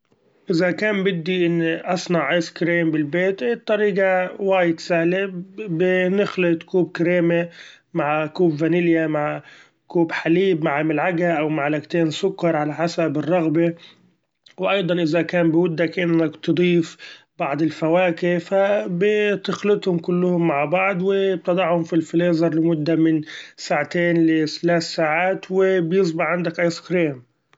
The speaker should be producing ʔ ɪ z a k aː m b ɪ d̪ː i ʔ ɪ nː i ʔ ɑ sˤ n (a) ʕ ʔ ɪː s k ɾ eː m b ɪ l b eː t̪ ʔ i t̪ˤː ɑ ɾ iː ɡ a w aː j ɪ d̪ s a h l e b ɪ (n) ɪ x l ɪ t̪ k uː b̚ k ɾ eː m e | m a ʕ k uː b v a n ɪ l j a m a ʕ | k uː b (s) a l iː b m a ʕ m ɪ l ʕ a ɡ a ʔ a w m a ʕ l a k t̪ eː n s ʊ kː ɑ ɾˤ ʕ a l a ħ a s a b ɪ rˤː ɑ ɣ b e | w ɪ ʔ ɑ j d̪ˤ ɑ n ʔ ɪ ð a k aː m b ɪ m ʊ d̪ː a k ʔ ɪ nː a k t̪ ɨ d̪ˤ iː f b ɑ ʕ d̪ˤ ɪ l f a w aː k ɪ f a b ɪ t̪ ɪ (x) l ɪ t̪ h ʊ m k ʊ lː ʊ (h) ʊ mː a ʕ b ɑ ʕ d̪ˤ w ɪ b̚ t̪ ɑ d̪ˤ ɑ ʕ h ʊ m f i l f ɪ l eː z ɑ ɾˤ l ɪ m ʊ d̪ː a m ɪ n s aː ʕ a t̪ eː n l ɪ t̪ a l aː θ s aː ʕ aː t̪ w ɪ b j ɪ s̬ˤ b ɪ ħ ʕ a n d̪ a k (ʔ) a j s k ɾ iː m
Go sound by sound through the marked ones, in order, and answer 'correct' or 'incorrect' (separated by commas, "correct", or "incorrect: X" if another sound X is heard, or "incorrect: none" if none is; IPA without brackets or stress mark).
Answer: incorrect: ɑ, correct, incorrect: ħ, correct, correct, correct